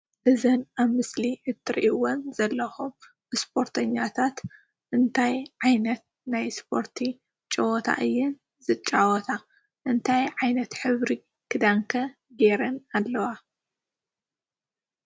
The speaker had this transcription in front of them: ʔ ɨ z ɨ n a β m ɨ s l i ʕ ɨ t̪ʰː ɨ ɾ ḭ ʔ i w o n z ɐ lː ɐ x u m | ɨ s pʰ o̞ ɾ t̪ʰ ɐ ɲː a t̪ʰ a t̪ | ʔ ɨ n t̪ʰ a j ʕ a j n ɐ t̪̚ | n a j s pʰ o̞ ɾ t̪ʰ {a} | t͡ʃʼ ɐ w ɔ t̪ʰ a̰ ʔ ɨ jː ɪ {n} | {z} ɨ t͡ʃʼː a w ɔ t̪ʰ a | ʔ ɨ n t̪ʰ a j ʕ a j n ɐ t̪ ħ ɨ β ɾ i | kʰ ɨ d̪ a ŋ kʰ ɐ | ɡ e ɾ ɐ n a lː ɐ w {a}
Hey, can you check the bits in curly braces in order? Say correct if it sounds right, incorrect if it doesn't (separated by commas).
incorrect, correct, correct, correct